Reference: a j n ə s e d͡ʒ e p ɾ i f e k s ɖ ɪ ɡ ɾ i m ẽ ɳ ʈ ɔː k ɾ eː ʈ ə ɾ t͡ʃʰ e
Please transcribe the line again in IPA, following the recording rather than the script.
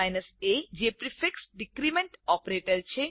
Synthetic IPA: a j n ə s e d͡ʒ e p ɾ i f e k s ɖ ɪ k ɾ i m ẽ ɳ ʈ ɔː p ɾ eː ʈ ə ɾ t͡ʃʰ e